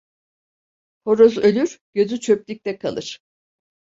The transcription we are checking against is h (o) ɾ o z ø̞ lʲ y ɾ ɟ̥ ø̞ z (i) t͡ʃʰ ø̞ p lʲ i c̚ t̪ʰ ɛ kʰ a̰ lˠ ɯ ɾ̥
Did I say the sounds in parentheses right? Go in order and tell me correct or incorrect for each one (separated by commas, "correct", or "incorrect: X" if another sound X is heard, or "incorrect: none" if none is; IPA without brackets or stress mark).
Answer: correct, incorrect: y